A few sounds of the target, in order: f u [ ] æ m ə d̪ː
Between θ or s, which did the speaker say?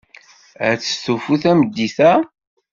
θ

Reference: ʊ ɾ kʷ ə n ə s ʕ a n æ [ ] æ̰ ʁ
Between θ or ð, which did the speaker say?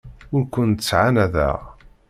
ð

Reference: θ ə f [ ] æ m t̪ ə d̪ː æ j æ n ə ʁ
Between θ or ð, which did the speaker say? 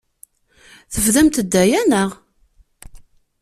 ð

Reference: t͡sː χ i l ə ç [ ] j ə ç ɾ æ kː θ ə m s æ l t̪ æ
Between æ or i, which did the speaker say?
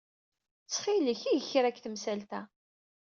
i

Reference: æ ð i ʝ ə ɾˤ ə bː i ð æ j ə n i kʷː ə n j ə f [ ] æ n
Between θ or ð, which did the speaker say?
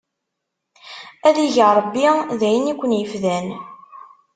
ð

